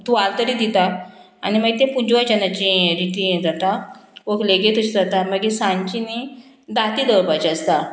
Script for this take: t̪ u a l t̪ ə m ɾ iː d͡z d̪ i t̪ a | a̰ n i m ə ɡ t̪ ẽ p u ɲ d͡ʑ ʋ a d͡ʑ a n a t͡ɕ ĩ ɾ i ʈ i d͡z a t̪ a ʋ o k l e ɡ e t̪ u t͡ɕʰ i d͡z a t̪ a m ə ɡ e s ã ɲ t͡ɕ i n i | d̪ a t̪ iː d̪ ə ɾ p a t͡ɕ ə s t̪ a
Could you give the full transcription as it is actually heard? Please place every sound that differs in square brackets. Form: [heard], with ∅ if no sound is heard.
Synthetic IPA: t̪ u a l t̪ ə [∅] ɾ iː [∅] d̪ i t̪ a | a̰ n i m ə ɡ t̪ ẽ p u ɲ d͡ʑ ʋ a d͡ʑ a n a t͡ɕ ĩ ɾ i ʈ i d͡z a t̪ a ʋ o k l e ɡ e t̪ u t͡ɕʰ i d͡z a t̪ a m ə ɡ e s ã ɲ t͡ɕ i n i | d̪ a t̪ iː d̪ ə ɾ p a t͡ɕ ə s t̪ a

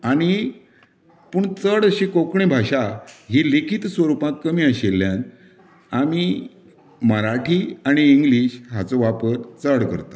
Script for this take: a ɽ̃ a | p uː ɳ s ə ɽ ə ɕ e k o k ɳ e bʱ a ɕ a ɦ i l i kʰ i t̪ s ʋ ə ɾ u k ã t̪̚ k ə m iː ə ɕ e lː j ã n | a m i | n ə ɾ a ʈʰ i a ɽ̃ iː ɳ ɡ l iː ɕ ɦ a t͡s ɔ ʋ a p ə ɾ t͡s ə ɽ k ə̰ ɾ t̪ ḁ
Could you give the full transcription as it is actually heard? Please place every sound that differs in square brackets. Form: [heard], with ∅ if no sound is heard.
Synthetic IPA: a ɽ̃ [i] | p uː ɳ [t͡s] ə ɽ ə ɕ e k o k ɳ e bʱ a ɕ a ɦ i l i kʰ i t̪ s ʋ ə ɾ u [p] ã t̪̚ k ə m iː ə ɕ e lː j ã n | a m i | [m] ə ɾ a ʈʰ i a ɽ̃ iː [ŋ] ɡ l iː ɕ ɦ a t͡s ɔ ʋ a p ə ɾ t͡s ə ɽ k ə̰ ɾ t̪ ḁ

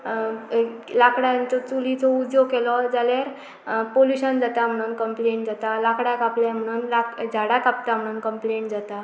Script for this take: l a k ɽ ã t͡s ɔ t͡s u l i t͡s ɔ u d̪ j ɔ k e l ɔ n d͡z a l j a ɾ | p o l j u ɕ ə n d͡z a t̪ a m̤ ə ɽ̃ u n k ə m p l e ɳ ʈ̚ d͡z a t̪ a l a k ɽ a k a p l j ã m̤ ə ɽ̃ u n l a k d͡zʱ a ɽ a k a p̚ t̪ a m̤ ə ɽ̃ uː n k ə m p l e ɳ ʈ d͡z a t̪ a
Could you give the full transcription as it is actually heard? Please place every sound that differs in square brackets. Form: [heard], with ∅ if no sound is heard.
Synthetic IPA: l a k ɽ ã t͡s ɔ t͡s u l i t͡s ɔ u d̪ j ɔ k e l ɔ [∅] d͡z a l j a ɾ | p o l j u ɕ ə n d͡z a t̪ a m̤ ə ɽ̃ u n k ə m p l e ɳ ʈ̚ d͡z a t̪ a l a k ɽ a k a p l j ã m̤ ə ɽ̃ u n l a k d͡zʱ a ɽ a k a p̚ t̪ a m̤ ə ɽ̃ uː n k ə m p l e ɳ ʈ d͡z a t̪ a

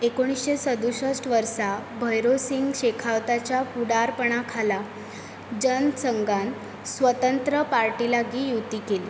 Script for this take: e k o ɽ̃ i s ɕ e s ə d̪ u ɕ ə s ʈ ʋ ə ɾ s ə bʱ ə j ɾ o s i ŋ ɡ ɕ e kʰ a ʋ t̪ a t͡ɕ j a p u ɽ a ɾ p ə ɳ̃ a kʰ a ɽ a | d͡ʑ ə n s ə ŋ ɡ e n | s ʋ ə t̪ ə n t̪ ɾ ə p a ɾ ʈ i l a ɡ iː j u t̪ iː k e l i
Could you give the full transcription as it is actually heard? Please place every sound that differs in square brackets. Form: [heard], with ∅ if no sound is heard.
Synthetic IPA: e k o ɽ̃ i s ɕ e s ə d̪ u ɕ ə s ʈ ʋ ə ɾ s [a] bʱ ə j ɾ o s i ŋ ɡ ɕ e kʰ a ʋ t̪ a t͡ɕ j a p u ɽ a ɾ p ə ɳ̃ a kʰ a [l] a | d͡ʑ ə n s ə ŋ ɡ [a] n | s ʋ ə t̪ ə n t̪ ɾ ə p a ɾ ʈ i l a ɡ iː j u t̪ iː k e l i

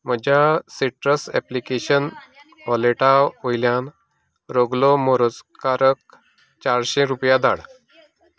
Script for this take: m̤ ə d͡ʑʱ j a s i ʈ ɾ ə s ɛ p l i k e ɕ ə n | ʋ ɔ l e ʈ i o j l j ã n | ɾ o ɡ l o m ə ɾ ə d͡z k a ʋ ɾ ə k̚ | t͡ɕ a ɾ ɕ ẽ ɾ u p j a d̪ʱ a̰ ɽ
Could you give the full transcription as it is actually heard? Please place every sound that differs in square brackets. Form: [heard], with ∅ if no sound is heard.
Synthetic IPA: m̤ ə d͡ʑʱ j a s i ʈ ɾ ə s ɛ p l i k e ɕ ə n | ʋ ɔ l e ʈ [a] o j l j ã n | ɾ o ɡ l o m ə ɾ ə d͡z k a [∅] ɾ ə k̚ | t͡ɕ a ɾ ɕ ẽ ɾ u p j a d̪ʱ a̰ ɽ

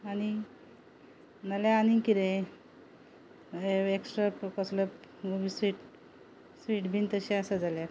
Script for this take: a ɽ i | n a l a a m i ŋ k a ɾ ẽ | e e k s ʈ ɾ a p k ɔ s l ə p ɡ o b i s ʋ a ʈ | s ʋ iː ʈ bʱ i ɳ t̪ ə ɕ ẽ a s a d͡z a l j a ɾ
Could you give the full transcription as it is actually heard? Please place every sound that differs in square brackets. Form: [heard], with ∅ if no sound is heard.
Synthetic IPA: a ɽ i | n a l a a [n] i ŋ k [i] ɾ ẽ | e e k s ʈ ɾ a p k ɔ s l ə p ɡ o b i s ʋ [i] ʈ | s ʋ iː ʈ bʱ i [n] t̪ ə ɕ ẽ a s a d͡z a l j a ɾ

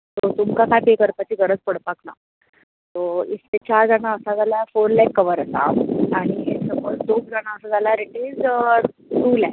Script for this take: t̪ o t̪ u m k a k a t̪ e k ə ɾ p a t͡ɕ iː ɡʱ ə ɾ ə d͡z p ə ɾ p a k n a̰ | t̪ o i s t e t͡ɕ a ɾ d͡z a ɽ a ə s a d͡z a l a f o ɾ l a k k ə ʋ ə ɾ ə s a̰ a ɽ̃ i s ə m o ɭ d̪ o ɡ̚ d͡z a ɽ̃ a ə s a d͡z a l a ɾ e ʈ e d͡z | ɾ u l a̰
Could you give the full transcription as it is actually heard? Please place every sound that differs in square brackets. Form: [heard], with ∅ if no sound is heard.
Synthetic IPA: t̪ o t̪ u m k a k a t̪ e k ə ɾ p a t͡ɕ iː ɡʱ ə ɾ ə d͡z p ə [ɽ] p a k n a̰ | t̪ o i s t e t͡ɕ a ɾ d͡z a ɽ a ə s a d͡z a l a f o ɾ l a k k ə ʋ ə ɾ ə s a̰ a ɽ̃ i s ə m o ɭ d̪ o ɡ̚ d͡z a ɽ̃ a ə s a d͡z a l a ɾ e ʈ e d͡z | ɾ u l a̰

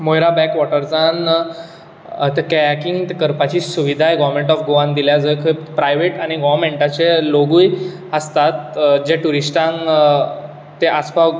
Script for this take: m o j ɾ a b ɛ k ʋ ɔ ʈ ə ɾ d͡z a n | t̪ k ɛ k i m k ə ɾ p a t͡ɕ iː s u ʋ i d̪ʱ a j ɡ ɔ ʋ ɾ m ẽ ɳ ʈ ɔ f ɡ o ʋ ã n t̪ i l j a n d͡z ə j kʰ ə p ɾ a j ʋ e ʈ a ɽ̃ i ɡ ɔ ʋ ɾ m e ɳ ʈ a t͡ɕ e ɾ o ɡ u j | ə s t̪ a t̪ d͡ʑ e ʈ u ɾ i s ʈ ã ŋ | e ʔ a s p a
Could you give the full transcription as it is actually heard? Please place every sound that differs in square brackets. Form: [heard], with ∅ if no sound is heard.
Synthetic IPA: m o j ɾ a b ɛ k ʋ ɔ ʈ ə ɾ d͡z a n | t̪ k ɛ k i [ŋ] k ə ɾ p a t͡ɕ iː s u ʋ i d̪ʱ a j ɡ ɔ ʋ ɾ m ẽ ɳ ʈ ɔ f ɡ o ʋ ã n [d̪] i l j a [∅] d͡z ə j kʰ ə p ɾ a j ʋ e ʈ a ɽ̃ i ɡ ɔ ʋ ɾ m e ɳ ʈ a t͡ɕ e [l] o ɡ u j | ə s t̪ a t̪ d͡ʑ e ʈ u ɾ i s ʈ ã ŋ | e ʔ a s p a

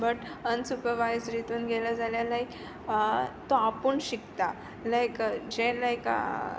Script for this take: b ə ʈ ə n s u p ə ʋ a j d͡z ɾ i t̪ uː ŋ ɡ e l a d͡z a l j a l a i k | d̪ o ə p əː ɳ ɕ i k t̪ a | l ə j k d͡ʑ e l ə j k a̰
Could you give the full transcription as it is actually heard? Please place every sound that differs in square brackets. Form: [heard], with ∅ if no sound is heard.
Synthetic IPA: b ə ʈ ə n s u p ə ʋ a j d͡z ɾ i t̪ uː [n] ɡ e l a d͡z a l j a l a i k | [t̪] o [a] p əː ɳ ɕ i k t̪ a | l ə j k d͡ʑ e l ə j k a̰

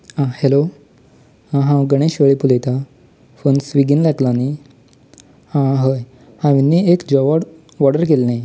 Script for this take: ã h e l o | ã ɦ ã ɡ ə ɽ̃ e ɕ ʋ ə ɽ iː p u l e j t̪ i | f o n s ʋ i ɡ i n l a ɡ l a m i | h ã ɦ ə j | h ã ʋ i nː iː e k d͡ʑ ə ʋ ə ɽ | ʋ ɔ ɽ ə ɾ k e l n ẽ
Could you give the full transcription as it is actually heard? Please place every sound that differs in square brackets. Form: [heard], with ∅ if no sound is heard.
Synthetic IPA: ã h e l o | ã ɦ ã ɡ ə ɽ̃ e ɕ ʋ ə [ɭ] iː p u l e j t̪ [a] | f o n s ʋ i ɡ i n l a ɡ l a [n] i | h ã ɦ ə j | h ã ʋ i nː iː e k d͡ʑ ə ʋ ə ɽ | ʋ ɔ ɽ ə ɾ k e l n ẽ

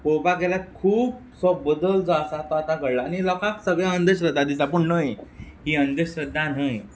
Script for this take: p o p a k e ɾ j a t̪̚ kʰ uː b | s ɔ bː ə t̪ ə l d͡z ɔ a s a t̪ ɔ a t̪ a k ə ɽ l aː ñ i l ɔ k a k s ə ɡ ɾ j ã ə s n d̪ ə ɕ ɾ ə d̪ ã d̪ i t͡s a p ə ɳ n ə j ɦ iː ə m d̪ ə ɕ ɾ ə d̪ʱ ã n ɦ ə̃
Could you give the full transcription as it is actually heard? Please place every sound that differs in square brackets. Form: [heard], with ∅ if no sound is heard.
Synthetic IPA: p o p a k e [l] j a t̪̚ kʰ uː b | s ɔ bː ə [d̪] ə l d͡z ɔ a s a t̪ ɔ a t̪ a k ə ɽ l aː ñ i l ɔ k a k s ə ɡ [ɭ] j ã ə [∅] n d̪ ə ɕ ɾ ə d̪ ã d̪ i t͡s a p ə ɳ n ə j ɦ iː ə [n] d̪ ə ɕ ɾ ə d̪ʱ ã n ɦ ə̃

